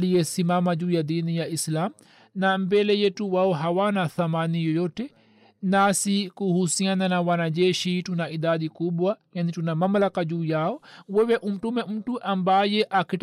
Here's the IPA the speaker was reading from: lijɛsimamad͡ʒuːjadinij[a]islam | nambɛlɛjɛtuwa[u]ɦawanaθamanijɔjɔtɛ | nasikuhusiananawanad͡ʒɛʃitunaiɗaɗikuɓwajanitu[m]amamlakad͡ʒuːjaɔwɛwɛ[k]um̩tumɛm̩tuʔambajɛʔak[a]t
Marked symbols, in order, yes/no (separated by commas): yes, no, no, no, no